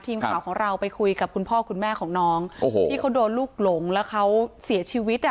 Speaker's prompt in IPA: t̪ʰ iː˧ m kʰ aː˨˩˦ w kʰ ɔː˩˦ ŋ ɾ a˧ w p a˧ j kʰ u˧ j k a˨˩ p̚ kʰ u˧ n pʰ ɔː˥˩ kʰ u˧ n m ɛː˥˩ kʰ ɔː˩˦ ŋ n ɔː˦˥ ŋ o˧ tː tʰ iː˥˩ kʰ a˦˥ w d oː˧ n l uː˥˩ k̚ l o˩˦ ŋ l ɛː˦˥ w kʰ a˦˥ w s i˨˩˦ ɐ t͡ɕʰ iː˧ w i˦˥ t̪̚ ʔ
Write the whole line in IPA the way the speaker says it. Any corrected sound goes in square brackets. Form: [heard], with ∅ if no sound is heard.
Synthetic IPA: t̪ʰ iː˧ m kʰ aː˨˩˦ w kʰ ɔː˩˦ ŋ ɾ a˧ w p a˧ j kʰ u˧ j k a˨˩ p̚ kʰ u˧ n pʰ ɔː˥˩ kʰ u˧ n m ɛː˥˩ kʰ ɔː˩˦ ŋ n ɔː˦˥ ŋ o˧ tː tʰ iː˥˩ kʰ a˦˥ w d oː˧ n l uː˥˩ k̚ l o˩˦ ŋ l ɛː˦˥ w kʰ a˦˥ w s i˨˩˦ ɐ t͡ɕʰ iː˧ w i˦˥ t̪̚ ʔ